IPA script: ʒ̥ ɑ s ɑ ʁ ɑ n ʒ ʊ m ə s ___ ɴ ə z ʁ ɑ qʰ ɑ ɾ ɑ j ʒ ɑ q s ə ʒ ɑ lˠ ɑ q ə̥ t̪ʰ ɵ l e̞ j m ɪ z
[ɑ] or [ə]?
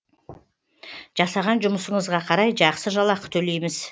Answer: ə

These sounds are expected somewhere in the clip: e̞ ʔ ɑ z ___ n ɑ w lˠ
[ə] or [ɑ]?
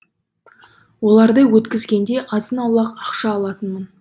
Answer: ə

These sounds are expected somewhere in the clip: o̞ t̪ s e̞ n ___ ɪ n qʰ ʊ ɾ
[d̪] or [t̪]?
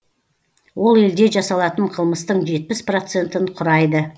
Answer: t̪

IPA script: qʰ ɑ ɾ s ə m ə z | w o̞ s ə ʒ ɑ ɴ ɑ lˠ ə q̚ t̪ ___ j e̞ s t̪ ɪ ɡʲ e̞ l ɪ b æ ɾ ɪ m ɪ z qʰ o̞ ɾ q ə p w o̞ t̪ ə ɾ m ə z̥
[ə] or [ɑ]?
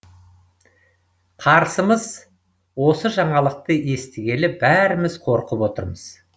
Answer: ə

